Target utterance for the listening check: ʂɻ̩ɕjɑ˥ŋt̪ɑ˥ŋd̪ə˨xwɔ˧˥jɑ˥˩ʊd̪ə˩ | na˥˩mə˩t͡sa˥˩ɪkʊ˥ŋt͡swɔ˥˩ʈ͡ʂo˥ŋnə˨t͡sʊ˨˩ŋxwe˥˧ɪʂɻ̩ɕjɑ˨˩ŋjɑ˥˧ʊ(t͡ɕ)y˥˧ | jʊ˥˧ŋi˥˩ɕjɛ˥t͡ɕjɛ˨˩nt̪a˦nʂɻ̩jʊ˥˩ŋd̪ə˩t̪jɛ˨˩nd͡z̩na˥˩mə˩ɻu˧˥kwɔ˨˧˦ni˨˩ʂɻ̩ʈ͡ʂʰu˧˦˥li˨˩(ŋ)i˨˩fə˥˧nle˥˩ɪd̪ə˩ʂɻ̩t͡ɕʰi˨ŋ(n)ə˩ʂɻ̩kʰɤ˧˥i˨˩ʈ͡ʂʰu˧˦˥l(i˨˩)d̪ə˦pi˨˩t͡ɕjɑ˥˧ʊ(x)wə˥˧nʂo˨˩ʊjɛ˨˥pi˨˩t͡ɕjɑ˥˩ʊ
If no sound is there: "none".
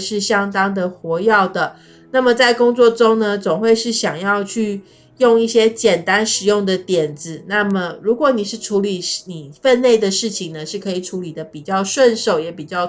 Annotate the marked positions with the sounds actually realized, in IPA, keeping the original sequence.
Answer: t͡ɕʰ, n, n, i˨˩, ʂ

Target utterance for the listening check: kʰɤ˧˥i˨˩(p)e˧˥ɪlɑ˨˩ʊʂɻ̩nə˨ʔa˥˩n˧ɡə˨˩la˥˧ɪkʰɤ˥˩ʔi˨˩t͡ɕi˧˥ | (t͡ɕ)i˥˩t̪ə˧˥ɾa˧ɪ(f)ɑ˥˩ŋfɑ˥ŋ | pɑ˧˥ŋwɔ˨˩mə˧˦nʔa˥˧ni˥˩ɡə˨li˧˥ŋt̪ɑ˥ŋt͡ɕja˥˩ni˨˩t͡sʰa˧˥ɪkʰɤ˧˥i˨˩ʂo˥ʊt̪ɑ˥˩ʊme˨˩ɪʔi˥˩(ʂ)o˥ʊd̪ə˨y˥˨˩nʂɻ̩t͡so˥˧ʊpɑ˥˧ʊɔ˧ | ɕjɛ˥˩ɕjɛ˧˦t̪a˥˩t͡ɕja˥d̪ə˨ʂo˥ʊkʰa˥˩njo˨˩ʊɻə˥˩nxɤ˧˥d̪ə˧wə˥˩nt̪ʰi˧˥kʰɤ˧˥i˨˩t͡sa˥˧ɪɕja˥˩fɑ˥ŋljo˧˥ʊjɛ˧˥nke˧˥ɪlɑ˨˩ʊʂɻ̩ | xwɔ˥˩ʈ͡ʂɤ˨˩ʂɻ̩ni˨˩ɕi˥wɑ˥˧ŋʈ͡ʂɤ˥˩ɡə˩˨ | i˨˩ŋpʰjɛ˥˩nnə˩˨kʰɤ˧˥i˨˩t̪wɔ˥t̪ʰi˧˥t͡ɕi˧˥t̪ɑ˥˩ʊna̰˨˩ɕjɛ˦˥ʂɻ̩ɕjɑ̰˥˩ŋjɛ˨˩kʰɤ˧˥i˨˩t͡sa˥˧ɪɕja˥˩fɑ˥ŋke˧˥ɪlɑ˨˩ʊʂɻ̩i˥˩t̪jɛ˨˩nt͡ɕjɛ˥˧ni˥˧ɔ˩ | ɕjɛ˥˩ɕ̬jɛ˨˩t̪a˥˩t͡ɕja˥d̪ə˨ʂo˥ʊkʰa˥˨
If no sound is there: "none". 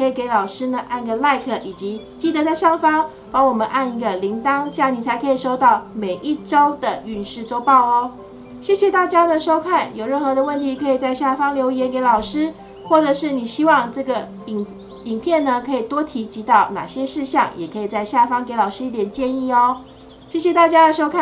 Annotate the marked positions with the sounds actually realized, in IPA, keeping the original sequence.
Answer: k, t͡ɕ, ʂ, ʈ͡ʂ

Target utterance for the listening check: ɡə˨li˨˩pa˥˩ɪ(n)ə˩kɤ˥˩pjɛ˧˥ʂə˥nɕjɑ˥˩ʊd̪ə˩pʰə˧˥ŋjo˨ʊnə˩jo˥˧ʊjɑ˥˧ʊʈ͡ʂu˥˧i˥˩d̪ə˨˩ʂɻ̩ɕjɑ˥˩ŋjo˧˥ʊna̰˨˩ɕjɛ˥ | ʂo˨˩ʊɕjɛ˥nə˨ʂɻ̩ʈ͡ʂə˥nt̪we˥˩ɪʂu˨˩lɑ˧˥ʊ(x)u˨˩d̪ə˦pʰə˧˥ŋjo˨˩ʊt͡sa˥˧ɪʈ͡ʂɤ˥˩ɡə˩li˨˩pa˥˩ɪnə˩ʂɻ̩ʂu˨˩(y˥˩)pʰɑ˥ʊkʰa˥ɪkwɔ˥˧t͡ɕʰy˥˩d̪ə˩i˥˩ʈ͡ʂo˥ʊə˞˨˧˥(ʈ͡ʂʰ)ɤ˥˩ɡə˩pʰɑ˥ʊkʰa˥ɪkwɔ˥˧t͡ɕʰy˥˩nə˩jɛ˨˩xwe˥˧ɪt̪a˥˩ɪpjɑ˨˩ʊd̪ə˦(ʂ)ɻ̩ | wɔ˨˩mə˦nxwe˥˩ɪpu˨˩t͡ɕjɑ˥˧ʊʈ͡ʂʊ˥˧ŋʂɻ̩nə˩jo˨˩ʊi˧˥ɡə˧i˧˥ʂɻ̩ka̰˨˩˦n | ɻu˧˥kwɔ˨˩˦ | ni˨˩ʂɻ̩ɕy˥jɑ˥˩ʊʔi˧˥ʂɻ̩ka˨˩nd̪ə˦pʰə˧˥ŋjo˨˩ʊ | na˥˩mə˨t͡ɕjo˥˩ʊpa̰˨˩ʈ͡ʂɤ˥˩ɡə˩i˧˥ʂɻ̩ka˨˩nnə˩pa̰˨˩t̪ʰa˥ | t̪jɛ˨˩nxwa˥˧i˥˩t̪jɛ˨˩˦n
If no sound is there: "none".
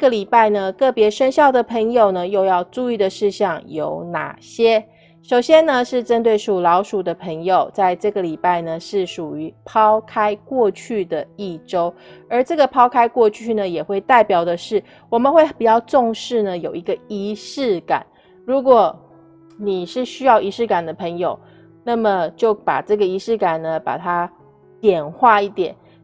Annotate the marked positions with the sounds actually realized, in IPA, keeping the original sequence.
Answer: n, ʂ, y˧˦, ʈ͡ʂ, ʂ

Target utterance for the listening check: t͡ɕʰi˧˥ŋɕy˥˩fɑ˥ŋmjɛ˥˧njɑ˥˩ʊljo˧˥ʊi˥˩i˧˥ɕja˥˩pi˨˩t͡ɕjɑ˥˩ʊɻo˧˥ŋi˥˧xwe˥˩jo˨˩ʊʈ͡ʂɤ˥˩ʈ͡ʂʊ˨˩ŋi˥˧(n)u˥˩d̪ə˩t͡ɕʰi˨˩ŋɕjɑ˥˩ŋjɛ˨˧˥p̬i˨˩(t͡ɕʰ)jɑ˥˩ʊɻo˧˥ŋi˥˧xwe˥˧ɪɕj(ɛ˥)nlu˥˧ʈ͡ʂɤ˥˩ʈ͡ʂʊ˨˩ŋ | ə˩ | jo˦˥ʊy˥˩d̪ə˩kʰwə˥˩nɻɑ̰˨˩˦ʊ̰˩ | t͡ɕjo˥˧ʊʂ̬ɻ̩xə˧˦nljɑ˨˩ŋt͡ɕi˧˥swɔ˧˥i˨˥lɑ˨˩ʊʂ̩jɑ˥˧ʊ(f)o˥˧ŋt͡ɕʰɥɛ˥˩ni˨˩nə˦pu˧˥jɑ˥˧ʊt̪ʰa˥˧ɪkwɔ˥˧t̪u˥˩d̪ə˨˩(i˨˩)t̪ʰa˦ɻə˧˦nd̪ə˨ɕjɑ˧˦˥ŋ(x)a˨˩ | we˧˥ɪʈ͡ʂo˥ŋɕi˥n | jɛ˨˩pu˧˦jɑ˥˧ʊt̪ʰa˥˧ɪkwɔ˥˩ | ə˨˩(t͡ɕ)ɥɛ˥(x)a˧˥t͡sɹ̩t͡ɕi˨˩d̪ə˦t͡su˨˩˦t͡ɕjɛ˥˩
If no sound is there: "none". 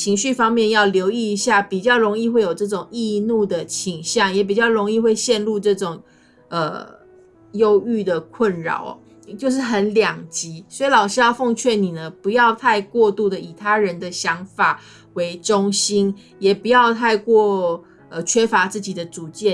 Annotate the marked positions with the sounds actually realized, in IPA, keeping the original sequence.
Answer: n, t͡ɕ, ɛ˥˧, f, i˨˩, f, t͡ɕʰ, f

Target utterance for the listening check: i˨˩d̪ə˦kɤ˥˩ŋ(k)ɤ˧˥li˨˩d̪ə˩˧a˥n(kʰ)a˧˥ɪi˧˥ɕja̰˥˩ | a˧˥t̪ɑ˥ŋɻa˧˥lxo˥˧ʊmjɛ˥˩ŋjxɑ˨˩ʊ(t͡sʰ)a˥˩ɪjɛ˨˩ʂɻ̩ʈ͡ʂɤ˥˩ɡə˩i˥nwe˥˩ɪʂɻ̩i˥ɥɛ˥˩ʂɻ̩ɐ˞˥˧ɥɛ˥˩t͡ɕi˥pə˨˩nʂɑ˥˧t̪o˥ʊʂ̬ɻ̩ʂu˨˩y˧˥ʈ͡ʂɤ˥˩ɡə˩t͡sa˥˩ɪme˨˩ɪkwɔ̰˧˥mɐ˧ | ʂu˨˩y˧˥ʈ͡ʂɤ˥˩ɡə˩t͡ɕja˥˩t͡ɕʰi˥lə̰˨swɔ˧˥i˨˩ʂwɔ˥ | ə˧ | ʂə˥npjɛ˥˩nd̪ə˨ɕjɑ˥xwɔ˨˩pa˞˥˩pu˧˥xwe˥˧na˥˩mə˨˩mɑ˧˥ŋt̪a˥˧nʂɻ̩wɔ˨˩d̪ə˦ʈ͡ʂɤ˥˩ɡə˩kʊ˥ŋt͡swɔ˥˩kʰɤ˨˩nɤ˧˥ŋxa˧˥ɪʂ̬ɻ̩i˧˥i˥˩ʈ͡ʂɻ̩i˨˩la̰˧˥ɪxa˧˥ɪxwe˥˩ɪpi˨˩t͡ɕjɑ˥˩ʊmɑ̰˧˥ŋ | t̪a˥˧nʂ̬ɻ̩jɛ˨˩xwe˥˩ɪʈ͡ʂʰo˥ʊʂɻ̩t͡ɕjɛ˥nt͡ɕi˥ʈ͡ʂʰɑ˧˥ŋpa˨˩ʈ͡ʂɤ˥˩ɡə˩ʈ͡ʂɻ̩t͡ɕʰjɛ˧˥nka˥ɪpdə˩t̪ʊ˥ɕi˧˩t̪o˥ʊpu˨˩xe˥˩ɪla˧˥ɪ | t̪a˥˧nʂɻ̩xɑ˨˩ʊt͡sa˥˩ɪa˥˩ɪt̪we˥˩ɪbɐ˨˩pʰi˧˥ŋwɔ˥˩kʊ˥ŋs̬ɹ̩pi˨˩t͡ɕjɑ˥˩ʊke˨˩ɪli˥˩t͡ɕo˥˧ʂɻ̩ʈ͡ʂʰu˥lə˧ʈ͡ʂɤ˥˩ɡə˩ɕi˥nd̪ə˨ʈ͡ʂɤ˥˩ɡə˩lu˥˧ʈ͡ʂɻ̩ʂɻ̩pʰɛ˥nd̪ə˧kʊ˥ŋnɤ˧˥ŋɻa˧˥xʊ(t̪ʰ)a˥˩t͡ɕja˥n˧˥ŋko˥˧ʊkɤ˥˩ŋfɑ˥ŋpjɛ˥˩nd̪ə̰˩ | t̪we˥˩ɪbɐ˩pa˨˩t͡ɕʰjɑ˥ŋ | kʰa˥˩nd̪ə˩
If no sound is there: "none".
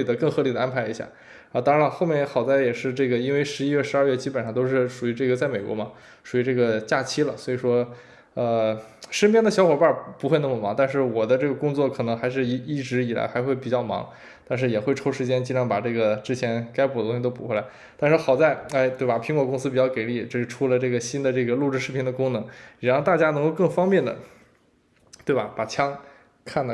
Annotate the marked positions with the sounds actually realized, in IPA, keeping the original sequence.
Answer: x, pʰ, t͡s, t̪

